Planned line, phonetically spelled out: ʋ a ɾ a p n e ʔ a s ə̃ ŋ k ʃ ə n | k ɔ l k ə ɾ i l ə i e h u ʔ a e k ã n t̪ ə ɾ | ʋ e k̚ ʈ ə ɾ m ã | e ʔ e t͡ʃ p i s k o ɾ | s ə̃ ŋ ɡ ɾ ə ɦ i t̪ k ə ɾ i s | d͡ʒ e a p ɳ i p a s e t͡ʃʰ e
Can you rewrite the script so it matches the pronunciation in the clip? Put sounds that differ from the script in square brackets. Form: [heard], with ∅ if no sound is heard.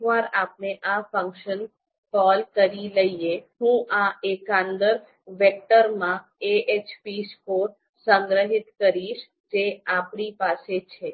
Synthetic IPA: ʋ a ɾ a p n e ʔ a [f] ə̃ ŋ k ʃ ə n | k ɔ l k ə ɾ i l ə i e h [ũ] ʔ a e k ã n [d̪] ə ɾ | ʋ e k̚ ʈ ə ɾ m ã | e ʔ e t͡ʃ p i s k o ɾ | s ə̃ ŋ ɡ ɾ ə ɦ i t̪ k ə ɾ i [ʃ] | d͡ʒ e a p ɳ i p a s e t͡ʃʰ e